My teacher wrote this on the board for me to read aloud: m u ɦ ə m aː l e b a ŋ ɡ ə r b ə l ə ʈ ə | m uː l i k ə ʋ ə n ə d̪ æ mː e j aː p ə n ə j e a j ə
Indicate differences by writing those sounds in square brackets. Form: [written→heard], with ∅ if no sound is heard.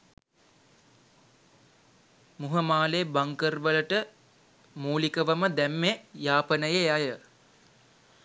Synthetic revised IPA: m u ɦ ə m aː l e b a ŋ [ɡ→k] ə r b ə l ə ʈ ə | m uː l i k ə ʋ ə [n→m] ə d̪ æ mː e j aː p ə n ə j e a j ə

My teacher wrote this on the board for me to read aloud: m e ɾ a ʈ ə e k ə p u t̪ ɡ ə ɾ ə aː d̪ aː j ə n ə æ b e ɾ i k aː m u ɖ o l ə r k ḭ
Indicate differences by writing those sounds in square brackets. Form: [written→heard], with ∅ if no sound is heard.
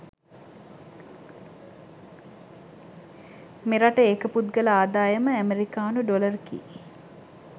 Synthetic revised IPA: m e ɾ a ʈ ə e k ə p u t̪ ɡ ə [ɾ→l] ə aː d̪ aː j ə [n→m] ə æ [b→m] e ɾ i k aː [m→n] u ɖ o l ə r k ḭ

